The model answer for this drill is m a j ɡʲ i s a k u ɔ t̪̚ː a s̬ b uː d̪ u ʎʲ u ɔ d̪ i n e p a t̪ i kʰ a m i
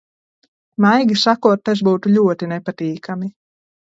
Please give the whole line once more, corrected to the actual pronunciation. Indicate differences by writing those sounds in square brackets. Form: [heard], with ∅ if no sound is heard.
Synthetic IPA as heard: m a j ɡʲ i s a k u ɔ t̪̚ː a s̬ b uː [t̪] u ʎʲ u ɔ [t̪] i n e p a t̪ [iː] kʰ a m i